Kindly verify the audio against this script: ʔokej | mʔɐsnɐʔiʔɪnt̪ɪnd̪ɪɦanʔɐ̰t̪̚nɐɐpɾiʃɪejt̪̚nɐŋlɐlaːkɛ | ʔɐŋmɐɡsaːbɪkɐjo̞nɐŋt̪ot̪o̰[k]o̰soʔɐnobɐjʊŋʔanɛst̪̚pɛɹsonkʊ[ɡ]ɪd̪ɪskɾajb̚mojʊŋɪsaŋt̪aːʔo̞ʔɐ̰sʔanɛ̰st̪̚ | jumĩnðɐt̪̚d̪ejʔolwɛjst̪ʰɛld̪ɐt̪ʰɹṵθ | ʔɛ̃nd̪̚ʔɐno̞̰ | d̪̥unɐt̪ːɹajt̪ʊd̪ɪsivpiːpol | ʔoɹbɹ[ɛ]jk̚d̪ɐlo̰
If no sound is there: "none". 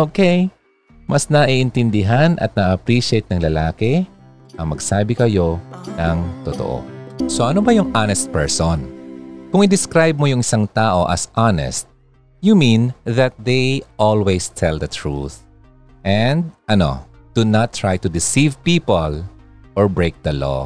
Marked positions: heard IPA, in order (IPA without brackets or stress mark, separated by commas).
ʔ, ŋ, e